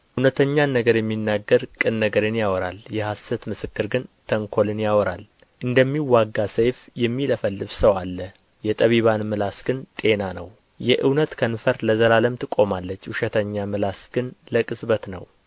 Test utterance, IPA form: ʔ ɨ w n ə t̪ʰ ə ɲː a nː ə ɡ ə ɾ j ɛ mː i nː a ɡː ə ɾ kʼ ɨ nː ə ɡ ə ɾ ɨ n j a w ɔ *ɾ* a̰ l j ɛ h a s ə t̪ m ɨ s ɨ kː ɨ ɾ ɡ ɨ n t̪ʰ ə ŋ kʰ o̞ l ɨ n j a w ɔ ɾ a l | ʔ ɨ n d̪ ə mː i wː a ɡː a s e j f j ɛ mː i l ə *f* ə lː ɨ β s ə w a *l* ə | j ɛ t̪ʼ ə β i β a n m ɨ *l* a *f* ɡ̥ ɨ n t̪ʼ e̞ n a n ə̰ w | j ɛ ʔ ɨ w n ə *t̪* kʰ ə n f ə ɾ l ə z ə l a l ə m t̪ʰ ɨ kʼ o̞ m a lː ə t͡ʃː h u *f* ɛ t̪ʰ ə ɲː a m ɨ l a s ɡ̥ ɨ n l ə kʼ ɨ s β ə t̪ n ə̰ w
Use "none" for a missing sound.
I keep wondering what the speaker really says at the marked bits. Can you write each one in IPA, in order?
ɾ, f, lː, l, s, t̪, ʃ

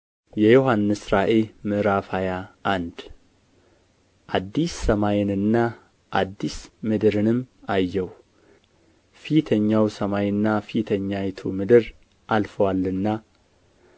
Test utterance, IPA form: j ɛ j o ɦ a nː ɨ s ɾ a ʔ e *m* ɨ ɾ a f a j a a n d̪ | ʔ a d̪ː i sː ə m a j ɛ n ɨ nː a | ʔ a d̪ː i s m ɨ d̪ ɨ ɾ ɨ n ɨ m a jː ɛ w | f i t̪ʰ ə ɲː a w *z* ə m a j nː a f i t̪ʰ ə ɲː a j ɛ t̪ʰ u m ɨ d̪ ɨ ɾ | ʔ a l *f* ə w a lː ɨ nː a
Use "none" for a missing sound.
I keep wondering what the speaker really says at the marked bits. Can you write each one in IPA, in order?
m, s, f

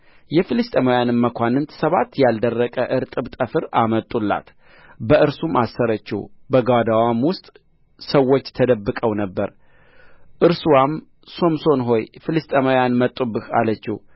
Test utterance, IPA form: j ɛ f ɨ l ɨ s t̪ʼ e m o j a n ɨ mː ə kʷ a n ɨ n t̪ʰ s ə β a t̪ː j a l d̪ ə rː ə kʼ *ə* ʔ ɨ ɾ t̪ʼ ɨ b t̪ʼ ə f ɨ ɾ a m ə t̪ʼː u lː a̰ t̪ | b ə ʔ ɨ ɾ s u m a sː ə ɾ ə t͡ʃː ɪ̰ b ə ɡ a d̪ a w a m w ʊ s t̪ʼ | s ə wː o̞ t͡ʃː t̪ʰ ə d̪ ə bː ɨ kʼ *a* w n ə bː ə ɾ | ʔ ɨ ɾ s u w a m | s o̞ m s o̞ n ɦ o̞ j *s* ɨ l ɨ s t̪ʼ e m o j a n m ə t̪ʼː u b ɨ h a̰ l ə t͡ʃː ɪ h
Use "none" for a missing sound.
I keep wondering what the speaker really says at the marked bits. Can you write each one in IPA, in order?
ə, ə, f

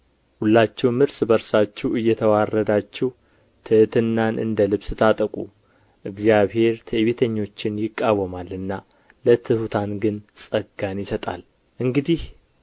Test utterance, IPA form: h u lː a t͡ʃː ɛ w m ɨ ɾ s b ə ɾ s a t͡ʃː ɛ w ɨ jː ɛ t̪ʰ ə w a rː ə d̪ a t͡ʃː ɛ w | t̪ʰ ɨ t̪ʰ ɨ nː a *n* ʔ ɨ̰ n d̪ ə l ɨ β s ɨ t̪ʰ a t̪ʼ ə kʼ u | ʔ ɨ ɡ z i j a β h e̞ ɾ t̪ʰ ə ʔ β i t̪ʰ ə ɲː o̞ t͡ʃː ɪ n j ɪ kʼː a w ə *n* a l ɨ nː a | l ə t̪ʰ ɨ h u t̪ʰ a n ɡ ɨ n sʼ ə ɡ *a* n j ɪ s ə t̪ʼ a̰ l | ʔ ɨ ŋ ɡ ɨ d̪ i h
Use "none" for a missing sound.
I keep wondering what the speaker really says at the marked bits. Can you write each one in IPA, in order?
n, m, a

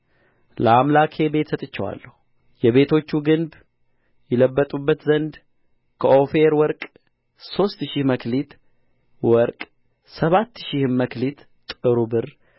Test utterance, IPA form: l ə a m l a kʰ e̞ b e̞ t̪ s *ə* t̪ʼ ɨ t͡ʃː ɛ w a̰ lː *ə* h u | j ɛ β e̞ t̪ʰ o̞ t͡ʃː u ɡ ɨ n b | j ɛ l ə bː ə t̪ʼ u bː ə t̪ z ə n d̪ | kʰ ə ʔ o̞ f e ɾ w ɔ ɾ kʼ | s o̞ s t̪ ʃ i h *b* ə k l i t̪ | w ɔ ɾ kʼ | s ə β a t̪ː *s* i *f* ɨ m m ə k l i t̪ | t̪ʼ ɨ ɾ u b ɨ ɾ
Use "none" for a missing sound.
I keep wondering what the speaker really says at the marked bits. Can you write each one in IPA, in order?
ə, ə, m, ʃ, h

